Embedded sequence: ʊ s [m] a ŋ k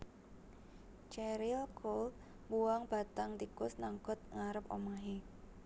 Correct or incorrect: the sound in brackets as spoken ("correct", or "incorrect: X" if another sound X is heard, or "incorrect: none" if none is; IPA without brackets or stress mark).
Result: incorrect: n